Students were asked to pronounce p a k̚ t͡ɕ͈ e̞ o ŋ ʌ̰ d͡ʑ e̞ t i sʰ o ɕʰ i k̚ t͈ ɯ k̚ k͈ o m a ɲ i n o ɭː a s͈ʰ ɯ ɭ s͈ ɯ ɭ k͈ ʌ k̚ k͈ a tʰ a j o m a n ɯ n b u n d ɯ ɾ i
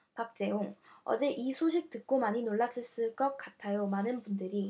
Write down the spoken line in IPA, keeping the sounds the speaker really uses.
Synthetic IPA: p a k̚ t͡ɕ͈ e̞ o ŋ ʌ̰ d͡ʑ e̞ ʔ i sʰ o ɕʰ i k̚ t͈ ɯ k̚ k͈ o m a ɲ i n o ɭː a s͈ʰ ɯ ɭ s͈ ɯ ɭ k͈ ʌ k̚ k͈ a tʰ a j o m a n ɯ n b u n d ɯ ɾ i